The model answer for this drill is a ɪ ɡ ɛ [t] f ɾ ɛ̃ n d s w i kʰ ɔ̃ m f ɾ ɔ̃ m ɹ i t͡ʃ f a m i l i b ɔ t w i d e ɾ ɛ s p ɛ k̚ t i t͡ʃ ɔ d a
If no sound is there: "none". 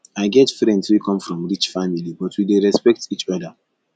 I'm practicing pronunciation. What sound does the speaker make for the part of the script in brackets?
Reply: t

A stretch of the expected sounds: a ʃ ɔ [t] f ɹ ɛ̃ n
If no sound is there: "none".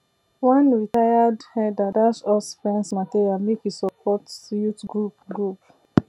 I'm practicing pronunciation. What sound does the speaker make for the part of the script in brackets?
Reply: s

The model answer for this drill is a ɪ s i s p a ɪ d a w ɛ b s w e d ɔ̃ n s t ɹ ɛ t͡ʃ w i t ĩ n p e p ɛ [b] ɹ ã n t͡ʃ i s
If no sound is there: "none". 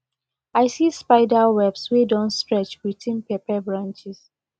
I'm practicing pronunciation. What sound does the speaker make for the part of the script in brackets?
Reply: b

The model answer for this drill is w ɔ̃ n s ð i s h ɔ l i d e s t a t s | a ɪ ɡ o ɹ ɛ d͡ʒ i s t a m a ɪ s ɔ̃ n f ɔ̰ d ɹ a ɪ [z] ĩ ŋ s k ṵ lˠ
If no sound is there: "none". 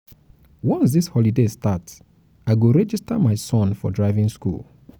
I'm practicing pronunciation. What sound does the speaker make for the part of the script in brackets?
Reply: v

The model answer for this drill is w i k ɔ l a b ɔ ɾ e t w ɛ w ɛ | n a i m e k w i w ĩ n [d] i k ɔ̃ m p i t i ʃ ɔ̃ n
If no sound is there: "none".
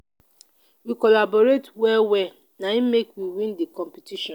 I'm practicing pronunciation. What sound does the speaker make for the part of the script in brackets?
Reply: d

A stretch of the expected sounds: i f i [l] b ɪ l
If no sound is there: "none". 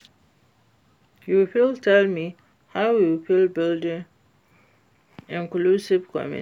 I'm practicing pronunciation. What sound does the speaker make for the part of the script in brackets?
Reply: l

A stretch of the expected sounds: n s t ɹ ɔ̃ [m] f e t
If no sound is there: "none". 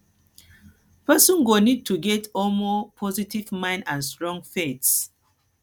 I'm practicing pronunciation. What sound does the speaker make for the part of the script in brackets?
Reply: ŋ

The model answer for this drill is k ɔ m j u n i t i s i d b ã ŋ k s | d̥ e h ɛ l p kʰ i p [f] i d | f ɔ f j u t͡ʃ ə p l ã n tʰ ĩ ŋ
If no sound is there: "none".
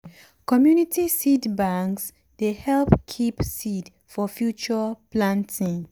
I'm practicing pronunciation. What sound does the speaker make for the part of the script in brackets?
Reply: s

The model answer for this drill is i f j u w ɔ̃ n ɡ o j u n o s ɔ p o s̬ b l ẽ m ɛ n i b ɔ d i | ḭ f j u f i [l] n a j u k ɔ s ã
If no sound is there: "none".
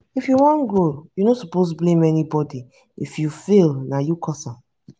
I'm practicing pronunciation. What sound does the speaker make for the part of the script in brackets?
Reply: l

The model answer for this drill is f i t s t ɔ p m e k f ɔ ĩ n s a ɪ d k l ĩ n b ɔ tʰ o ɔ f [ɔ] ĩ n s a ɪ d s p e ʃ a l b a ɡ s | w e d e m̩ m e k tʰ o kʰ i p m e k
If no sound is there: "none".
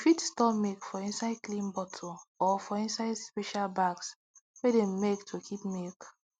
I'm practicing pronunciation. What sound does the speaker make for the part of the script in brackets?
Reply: ɔ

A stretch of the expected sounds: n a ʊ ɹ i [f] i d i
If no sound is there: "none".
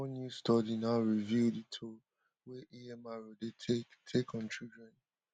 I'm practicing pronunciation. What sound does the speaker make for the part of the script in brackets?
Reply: v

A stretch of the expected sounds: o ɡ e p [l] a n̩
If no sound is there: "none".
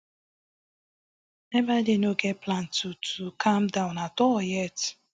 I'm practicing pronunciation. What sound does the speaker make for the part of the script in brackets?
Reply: l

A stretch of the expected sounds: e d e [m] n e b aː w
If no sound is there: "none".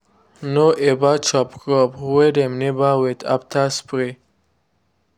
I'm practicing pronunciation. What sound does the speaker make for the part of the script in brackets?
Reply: m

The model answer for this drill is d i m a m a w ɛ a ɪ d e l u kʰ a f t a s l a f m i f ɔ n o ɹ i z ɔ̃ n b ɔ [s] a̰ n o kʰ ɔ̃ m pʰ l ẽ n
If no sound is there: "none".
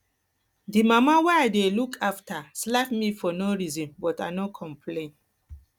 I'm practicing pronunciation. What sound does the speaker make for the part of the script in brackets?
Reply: t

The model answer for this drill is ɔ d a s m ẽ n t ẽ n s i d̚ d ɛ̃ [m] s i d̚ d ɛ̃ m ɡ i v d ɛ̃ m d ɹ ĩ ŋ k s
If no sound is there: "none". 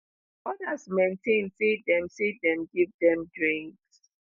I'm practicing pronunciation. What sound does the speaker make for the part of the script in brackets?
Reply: m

